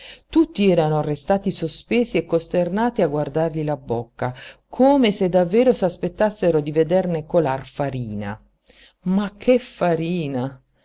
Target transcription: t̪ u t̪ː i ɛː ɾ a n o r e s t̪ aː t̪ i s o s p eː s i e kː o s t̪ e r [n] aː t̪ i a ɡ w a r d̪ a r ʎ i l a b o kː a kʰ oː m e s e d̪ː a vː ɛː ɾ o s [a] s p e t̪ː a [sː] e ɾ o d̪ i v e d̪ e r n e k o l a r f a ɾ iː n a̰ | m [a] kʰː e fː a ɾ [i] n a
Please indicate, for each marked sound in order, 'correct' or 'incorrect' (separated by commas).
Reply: correct, correct, correct, correct, incorrect